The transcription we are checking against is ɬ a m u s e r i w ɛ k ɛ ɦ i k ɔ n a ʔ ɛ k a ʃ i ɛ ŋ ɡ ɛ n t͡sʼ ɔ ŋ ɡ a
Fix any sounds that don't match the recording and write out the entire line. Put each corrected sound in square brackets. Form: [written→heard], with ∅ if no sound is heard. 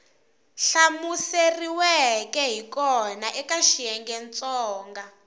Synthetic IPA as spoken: ɬ a m u s e r i w ɛ k ɛ ɦ i k ɔ n a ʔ ɛ k a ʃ i ɛ ŋ ɡ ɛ n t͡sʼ [ɔ→ɔː] ŋ ɡ a